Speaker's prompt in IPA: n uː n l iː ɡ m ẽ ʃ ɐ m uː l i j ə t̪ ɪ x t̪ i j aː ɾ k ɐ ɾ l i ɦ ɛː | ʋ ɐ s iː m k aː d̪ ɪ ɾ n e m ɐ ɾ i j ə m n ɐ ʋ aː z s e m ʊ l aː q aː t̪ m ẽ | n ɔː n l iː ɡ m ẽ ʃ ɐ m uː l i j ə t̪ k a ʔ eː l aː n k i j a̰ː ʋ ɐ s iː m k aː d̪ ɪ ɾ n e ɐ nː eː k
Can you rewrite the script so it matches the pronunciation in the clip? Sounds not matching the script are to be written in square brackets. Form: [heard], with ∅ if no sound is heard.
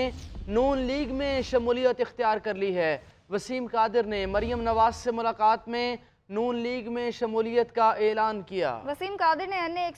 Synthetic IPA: n uː n l iː ɡ m ẽ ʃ ɐ m uː l i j ə t̪ ɪ x t̪ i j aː ɾ k ɐ ɾ l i ɦ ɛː | ʋ ɐ s iː m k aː d̪ ɪ ɾ n e m ɐ ɾ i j ə m n ɐ ʋ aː z s e m ʊ l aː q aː t̪ m ẽ | n [uː] n l iː ɡ m ẽ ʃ ɐ m uː l i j ə t̪ k a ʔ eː l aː n k i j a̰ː ʋ ɐ s iː m k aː d̪ ɪ ɾ n e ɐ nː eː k